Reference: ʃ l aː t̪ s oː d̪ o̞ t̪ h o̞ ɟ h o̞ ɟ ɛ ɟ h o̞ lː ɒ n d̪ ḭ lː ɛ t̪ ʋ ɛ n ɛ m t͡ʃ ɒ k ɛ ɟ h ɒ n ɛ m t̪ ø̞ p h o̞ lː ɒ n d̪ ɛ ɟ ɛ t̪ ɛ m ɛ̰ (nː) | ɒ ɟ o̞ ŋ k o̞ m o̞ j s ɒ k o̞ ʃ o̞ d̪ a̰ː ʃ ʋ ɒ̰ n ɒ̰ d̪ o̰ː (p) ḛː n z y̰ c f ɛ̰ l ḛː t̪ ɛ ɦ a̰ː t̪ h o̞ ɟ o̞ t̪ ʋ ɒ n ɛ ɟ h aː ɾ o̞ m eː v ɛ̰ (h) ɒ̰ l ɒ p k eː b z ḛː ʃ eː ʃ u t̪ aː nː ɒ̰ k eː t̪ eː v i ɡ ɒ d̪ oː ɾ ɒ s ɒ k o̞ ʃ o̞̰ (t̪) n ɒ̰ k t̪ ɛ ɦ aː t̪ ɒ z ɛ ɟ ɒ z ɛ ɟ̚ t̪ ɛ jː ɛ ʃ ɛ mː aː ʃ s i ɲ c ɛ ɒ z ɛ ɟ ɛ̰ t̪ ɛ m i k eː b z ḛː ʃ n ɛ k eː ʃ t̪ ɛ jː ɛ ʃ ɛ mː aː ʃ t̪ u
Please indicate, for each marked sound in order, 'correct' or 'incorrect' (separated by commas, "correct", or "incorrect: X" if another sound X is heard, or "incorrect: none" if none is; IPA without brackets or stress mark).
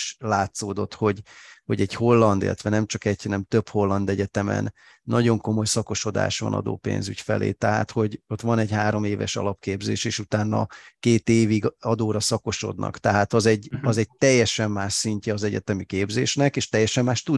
correct, correct, incorrect: ʃ, incorrect: d̪